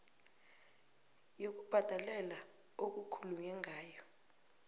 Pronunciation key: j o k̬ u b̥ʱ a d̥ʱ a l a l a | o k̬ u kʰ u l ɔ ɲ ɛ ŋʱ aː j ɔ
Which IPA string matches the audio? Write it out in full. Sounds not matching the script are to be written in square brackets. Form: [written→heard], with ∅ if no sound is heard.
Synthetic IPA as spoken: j o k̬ u b̥ʱ a d̥ʱ a l [a→ɛ] l a | o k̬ u kʰ u l [ɔ→u] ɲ ɛ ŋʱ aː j ɔ